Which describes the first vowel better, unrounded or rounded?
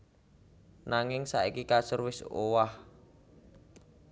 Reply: unrounded